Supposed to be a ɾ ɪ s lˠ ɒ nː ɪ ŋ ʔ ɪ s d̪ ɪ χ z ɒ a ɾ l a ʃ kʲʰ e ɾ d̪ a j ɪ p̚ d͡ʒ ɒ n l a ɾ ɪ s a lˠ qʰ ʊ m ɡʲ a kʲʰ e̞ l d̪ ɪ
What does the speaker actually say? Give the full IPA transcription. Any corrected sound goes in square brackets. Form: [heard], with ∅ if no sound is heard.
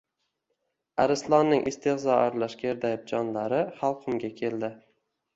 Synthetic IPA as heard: a ɾ ɪ s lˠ ɒ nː ɪ ŋ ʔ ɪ s [t̪] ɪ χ z ɒ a ɾ l a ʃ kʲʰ e ɾ d̪ a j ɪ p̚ d͡ʒ ɒ n l a ɾ ɪ [χ] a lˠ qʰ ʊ m ɡʲ a kʲʰ e̞ l d̪ ɪ